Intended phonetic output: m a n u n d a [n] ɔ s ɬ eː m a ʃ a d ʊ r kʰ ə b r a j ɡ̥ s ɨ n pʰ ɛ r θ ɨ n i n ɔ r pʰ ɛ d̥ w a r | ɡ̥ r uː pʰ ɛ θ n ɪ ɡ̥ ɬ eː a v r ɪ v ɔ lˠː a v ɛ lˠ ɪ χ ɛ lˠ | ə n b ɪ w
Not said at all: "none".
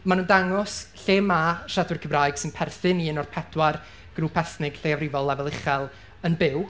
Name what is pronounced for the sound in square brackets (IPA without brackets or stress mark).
ŋ